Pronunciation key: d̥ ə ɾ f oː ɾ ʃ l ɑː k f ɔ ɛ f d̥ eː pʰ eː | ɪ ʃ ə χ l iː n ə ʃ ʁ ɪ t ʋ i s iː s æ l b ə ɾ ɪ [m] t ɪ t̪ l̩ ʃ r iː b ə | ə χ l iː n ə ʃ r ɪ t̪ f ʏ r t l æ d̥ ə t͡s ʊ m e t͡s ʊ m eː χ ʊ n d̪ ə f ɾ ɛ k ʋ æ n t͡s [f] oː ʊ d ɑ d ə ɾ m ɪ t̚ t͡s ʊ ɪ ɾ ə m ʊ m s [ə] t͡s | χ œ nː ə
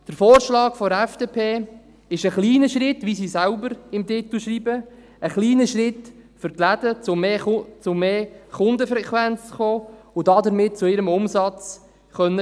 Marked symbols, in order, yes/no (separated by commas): yes, no, no